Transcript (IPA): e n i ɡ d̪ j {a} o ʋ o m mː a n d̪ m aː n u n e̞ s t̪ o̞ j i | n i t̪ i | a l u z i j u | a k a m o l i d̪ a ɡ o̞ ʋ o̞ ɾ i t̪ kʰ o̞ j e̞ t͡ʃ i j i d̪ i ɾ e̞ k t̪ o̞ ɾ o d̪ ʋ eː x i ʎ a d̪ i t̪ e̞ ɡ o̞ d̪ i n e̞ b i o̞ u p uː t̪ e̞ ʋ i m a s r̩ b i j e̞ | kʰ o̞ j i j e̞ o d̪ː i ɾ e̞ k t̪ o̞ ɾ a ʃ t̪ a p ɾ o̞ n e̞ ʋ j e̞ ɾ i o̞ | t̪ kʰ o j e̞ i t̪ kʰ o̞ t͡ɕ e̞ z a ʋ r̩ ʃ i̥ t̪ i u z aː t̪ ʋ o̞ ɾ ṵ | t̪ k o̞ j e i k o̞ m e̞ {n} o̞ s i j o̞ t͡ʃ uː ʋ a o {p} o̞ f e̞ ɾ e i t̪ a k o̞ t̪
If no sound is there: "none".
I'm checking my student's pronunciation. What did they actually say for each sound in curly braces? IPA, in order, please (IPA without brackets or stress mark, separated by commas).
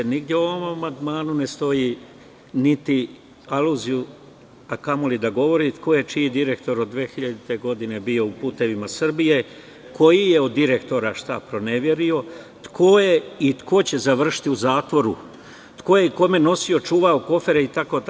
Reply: e, n, k